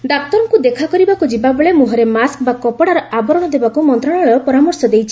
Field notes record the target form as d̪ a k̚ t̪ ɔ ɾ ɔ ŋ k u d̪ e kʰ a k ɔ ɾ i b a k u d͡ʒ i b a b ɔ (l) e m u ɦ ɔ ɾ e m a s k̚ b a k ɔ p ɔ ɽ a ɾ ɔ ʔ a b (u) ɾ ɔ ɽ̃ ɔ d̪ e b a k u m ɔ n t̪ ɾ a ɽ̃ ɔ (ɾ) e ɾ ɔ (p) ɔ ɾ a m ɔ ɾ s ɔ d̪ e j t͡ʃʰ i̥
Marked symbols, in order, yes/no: no, no, no, yes

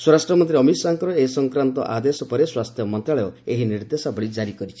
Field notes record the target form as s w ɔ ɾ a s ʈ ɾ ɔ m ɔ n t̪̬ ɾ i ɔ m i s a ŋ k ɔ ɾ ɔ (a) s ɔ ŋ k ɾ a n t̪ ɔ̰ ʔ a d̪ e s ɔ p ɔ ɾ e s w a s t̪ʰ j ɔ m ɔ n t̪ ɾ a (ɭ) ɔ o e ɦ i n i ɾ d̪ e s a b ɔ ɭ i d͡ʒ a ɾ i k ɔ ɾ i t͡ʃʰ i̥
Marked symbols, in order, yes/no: no, yes

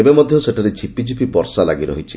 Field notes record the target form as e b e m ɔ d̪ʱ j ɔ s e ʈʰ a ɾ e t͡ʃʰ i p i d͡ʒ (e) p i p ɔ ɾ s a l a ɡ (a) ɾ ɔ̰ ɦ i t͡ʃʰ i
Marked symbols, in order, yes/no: no, no

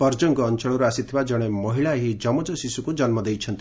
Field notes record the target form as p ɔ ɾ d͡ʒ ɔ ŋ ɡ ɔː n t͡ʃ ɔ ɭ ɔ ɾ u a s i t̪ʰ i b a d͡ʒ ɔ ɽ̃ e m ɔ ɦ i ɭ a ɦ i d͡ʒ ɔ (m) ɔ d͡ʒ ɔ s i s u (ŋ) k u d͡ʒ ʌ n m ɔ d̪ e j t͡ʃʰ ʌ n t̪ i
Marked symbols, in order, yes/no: yes, no

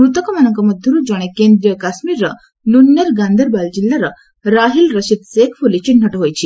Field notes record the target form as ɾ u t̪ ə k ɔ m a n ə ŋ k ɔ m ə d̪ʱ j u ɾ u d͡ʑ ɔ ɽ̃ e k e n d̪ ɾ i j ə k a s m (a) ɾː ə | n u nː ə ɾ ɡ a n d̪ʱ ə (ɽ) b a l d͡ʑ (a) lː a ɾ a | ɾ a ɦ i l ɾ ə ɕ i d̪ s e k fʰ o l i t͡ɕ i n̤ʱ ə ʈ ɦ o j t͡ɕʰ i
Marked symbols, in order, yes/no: no, no, no

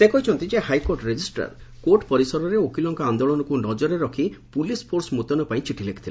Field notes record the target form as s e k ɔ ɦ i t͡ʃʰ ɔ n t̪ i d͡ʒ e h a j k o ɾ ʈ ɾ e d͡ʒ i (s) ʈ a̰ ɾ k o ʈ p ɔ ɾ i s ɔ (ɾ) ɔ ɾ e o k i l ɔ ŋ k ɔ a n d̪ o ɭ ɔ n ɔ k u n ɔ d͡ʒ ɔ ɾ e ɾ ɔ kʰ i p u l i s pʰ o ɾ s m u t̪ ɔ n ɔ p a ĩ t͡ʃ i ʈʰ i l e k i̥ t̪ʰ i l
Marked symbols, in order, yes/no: yes, yes

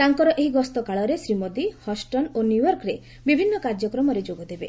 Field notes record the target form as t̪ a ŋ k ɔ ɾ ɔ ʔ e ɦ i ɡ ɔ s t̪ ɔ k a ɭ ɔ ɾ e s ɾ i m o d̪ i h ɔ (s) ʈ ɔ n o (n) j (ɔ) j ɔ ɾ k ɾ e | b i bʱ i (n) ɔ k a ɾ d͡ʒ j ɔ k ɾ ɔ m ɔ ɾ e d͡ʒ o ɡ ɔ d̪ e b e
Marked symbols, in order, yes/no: yes, yes, no, no

